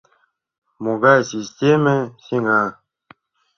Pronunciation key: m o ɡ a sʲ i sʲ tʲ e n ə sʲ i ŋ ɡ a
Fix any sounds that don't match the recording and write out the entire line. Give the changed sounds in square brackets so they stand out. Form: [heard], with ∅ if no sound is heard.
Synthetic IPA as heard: m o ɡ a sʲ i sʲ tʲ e [m] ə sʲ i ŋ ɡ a